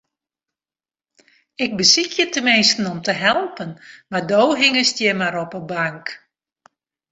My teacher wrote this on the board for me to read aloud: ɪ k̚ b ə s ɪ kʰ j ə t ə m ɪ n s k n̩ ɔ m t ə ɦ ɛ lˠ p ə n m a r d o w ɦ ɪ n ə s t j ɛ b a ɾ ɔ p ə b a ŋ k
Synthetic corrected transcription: ɪ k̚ b ə s i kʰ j ə t ə m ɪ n s t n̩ ɔ m t ə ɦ ɛ lˠ p ə n m a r d o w ɦ ɪ ŋ ə s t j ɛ m a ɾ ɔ p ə b a ŋ k